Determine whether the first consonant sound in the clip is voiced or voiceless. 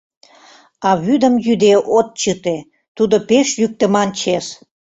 voiced